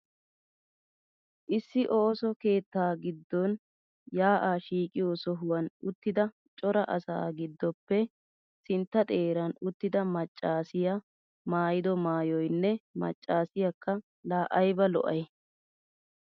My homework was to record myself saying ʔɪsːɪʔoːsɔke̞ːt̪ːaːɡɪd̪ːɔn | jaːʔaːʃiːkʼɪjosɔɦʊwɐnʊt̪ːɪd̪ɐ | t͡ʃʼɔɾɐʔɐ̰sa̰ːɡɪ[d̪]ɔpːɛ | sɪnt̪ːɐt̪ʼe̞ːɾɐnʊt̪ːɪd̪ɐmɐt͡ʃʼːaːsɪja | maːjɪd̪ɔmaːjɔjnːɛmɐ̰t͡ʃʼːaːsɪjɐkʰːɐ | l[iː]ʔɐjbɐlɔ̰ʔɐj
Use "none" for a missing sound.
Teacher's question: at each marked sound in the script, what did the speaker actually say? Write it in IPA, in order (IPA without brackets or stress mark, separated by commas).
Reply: d̪ː, aː